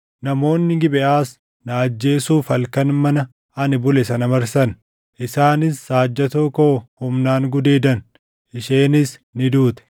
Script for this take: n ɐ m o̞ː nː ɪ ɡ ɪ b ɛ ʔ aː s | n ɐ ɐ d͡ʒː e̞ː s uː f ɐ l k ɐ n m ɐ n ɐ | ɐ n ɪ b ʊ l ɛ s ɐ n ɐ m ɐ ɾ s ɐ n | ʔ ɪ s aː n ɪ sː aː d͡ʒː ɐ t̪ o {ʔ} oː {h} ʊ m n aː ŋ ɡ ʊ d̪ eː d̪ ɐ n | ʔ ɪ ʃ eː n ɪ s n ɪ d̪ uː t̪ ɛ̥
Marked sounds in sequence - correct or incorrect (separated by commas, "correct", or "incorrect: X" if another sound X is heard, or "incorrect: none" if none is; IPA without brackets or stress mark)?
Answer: incorrect: k, correct